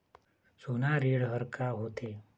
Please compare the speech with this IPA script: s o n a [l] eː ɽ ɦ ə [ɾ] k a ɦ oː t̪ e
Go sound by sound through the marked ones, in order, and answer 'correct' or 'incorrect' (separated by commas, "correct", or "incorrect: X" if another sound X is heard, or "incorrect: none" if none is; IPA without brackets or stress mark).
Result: incorrect: ɾ, correct